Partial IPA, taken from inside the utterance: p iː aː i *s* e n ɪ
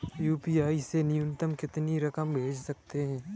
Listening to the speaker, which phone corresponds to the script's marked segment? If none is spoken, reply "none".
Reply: s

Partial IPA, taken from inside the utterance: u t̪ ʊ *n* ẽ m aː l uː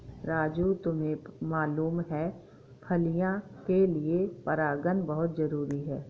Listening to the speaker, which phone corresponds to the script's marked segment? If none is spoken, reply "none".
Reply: m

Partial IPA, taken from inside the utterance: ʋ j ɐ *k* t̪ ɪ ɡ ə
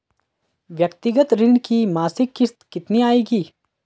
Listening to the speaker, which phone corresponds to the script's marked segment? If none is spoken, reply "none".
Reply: k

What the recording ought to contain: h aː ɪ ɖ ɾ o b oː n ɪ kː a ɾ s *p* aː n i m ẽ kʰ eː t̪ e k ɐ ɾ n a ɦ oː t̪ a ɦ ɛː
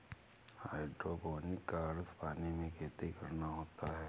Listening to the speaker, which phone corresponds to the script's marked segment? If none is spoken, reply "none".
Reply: p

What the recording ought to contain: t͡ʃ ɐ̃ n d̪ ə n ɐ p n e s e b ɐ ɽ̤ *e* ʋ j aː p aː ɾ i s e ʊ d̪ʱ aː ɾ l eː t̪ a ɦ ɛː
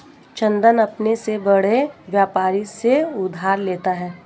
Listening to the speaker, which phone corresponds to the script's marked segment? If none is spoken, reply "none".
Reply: e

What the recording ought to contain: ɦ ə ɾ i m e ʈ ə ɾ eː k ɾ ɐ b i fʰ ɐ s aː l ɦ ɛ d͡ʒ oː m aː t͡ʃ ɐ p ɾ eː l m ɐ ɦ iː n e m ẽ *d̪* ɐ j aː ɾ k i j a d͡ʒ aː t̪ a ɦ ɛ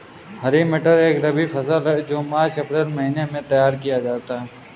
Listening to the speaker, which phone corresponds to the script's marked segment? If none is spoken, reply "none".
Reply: t̪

